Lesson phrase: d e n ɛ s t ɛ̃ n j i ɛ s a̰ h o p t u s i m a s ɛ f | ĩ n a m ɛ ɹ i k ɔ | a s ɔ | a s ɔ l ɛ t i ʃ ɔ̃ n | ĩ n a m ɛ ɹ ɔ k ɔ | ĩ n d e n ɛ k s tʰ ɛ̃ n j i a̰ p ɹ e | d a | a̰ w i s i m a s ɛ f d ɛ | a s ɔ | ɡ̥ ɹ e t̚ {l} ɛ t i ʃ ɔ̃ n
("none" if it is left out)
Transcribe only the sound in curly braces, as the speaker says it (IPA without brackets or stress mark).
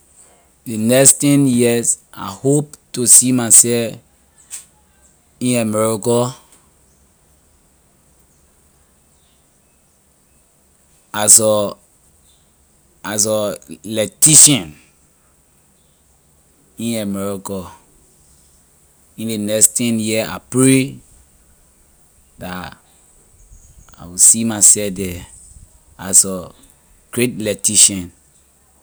l